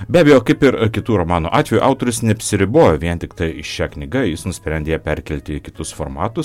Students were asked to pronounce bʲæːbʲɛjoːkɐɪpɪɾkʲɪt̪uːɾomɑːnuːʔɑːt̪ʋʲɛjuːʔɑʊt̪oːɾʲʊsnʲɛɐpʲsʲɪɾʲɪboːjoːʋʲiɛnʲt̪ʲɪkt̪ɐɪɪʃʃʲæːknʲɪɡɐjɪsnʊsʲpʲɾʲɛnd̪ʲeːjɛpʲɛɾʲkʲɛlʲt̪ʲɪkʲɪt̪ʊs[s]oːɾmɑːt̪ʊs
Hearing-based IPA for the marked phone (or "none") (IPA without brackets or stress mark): f